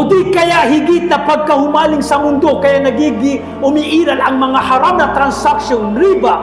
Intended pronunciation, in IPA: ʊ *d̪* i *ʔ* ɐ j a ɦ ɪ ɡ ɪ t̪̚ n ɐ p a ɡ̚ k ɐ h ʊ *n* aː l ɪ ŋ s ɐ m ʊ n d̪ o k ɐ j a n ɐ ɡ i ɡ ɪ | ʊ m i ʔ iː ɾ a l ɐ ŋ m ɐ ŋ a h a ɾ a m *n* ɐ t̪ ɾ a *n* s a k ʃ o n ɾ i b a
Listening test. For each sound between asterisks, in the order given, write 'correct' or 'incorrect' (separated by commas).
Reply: correct, incorrect, incorrect, correct, correct